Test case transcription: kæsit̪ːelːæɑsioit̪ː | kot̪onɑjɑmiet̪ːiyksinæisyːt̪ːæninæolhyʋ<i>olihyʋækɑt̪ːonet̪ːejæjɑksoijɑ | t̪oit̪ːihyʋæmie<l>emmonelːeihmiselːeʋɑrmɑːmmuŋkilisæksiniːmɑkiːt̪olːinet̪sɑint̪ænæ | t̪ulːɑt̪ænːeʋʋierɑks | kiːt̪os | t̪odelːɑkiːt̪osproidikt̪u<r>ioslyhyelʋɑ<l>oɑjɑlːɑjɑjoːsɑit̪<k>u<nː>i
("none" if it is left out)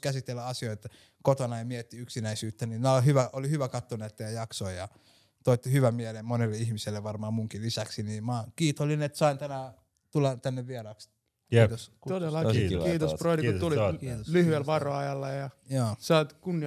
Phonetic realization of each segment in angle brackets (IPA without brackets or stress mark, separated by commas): æ, l, l, r, k, nː